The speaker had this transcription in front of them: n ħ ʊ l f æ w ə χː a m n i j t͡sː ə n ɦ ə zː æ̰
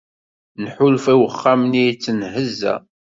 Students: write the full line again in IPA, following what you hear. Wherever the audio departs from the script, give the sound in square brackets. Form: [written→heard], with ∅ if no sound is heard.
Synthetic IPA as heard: n ħ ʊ l f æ w ə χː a m n i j t͡sː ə n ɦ ə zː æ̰